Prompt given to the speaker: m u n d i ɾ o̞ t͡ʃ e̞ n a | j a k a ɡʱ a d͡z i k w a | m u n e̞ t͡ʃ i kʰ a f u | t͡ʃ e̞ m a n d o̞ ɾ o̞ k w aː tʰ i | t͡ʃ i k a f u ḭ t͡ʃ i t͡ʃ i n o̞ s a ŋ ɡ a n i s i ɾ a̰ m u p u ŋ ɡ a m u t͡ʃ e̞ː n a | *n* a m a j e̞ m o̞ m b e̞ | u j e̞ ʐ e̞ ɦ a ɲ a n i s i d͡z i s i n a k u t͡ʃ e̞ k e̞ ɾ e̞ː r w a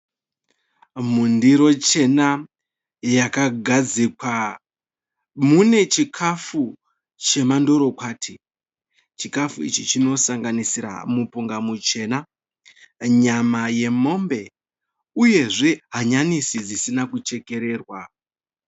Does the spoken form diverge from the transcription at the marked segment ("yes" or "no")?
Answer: yes